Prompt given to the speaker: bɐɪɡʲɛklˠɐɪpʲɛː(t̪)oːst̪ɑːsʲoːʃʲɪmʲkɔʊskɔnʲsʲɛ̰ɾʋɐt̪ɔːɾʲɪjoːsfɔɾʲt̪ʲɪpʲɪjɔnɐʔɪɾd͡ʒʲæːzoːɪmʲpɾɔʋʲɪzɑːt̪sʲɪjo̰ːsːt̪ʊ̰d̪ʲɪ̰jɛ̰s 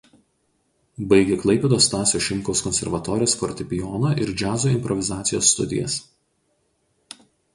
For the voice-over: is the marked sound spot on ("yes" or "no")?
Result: no